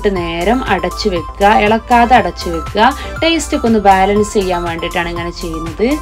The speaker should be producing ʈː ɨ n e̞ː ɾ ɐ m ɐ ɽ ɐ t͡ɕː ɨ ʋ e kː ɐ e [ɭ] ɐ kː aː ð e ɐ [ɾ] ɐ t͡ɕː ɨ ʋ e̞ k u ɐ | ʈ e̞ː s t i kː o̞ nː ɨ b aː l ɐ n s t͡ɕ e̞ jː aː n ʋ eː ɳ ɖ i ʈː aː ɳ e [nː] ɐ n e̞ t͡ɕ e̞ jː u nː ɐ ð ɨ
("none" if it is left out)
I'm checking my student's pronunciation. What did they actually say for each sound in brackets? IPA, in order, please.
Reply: ɭ, ɽ, ŋː

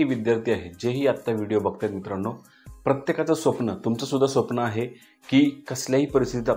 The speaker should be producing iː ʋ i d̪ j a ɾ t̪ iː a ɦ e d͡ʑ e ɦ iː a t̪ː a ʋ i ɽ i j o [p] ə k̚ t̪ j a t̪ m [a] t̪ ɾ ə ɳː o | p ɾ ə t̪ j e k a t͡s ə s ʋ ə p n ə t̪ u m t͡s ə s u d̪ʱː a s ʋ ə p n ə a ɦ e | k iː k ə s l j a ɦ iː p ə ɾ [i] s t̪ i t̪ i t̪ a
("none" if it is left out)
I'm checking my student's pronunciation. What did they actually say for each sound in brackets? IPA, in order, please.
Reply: b, i, i

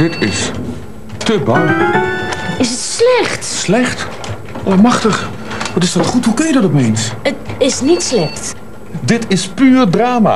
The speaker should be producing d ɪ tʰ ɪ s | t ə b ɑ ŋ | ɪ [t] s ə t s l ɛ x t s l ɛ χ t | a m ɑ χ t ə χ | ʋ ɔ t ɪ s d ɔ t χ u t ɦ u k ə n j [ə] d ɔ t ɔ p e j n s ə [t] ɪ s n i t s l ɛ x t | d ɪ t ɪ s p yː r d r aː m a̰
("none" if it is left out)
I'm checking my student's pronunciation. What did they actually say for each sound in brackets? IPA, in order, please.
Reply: none, ə, t

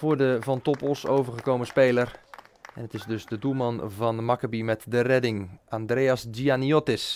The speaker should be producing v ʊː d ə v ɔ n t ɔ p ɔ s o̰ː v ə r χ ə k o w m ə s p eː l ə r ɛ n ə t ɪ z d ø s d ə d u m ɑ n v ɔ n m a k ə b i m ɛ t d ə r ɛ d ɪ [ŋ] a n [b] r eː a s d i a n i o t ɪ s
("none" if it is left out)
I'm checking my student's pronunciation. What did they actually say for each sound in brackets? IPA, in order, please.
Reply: ŋ, d

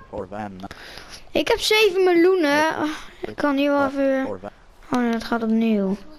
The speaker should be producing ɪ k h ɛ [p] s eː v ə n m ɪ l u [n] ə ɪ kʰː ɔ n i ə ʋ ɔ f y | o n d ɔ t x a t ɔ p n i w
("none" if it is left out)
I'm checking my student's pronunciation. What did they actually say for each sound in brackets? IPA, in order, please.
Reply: p, n

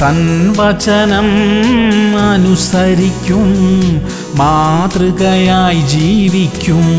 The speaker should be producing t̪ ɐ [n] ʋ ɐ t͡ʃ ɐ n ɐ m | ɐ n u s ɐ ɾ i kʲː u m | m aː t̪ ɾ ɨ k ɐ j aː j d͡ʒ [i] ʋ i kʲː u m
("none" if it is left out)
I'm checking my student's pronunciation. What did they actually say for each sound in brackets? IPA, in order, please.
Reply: n, iː

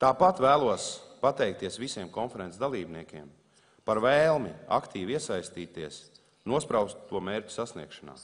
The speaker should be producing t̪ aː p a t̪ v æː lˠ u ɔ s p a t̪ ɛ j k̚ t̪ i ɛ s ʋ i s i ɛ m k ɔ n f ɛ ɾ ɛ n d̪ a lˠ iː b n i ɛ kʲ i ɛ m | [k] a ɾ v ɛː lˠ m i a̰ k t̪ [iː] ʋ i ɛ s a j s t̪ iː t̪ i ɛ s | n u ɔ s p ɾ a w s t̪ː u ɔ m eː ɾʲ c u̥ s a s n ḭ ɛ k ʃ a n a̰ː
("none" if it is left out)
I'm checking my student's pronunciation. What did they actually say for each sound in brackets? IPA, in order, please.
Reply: p, iː

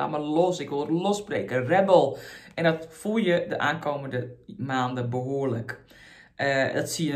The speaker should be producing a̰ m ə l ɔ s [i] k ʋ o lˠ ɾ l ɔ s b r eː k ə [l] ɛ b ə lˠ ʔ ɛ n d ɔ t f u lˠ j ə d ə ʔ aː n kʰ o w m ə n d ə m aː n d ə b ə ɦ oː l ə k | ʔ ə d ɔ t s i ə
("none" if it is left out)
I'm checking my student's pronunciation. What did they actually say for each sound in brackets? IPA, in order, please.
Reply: ɪ, r

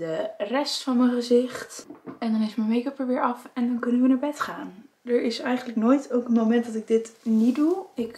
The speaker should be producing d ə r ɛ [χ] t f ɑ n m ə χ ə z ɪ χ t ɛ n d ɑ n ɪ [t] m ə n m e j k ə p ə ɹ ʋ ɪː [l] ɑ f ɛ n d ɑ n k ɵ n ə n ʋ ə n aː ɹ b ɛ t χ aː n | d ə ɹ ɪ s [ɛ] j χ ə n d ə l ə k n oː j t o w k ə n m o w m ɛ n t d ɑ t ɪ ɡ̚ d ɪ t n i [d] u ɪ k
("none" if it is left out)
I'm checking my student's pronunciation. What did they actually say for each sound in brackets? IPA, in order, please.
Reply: s, s, ɹ, ɛ, d

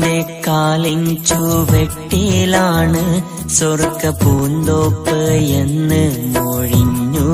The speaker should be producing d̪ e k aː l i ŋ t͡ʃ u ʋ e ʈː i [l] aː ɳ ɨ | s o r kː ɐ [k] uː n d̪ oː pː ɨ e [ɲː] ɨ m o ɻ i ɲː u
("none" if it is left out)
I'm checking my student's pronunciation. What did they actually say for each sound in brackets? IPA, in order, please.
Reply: l, p, nː

